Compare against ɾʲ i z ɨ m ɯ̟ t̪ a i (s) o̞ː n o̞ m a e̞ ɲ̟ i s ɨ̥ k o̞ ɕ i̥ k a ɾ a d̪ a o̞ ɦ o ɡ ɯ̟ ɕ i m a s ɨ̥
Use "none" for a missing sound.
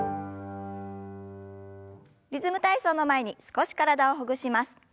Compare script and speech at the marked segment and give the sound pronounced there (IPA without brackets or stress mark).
s